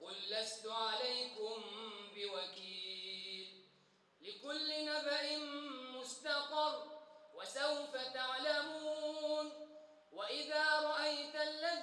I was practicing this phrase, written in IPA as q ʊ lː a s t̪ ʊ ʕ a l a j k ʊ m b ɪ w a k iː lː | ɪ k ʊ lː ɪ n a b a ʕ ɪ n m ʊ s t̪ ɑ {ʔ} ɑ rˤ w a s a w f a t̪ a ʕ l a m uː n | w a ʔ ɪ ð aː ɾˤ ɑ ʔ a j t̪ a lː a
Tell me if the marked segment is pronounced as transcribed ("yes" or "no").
no